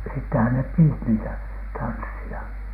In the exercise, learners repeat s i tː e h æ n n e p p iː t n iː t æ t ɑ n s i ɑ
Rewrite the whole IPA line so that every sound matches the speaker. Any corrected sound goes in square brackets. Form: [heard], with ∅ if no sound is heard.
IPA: s i tː e h æ n n e p p iː t n iː t æ t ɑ n [sː] i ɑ